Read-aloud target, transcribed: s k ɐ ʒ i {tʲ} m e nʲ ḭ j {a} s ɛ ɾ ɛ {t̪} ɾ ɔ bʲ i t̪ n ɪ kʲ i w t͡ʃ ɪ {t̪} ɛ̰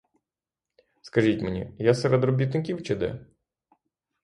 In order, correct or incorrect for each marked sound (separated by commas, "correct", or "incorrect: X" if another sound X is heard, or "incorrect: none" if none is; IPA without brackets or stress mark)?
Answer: correct, correct, incorrect: d̪, incorrect: d̪